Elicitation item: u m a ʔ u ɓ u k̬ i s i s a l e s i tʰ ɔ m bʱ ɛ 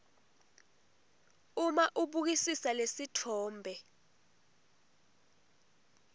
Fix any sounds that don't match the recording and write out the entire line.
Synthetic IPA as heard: u m a ʔ u ɓ u k̬ i s i s a l e s i tʰ ɔː m bʱ ɛ